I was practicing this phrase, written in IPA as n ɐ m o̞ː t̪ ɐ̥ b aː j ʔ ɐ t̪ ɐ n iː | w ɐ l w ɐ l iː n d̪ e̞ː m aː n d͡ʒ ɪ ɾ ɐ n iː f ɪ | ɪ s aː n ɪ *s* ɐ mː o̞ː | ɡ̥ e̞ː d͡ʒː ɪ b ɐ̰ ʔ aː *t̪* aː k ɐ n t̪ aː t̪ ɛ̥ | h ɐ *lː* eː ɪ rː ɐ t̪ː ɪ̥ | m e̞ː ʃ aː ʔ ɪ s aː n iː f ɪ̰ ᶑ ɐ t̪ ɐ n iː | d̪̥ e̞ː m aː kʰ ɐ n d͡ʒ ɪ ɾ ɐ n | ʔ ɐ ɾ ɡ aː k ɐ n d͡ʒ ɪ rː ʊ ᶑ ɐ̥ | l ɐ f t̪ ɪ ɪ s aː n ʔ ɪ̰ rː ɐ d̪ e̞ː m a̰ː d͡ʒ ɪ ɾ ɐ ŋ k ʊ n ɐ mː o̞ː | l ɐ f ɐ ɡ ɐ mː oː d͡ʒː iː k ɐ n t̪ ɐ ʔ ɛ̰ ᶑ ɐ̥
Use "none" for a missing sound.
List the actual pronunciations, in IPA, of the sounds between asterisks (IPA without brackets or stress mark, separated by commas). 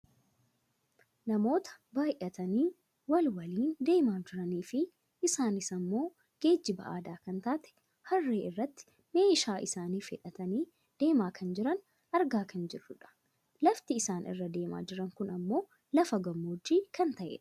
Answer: s, d̪, rː